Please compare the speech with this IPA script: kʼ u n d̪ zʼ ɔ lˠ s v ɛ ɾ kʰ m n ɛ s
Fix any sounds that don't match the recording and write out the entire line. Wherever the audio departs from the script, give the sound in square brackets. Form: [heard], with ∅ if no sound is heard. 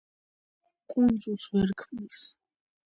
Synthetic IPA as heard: kʼ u n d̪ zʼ [u] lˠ s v ɛ ɾ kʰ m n [i] s